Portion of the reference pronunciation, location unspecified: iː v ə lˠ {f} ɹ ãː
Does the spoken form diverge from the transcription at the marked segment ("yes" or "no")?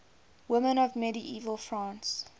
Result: no